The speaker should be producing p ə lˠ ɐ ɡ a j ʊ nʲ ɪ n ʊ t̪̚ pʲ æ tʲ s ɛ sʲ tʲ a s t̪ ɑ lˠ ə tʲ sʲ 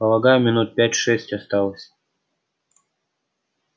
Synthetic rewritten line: p ə lˠ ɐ ɡ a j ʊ mʲ ɪ n u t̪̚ pʲ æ tʲ ʂ ɛ sʲ tʲ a s t̪ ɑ lˠ ə sʲ